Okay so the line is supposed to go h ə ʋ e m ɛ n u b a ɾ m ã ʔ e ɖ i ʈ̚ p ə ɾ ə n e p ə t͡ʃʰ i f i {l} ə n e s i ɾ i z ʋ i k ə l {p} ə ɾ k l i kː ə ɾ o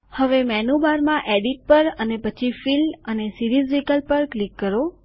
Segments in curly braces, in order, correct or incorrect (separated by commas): correct, correct